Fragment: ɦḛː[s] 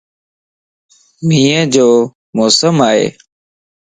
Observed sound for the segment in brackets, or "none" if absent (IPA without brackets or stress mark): none